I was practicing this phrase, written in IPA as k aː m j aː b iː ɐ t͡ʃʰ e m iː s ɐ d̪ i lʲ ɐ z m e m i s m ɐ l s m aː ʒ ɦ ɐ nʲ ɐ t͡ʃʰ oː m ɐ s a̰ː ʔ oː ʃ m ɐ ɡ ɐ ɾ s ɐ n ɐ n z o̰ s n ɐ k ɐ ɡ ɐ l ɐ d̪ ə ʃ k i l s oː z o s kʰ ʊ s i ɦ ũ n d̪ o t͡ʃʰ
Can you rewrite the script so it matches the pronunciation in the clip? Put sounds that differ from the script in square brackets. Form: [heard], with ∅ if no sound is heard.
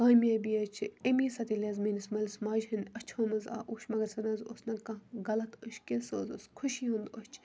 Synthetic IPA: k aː m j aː b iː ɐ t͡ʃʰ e m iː s ɐ [t̪] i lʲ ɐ z m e [n] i s m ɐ l s m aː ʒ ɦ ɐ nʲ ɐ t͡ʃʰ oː m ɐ [z] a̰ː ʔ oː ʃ m ɐ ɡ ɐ ɾ s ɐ n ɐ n z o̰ s n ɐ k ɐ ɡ ɐ l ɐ [t̪] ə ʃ k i l s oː z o s kʰ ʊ [ʃ] i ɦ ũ n d̪ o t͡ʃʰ